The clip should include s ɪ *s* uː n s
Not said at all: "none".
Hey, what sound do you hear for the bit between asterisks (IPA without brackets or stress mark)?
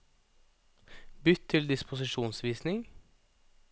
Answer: ʃ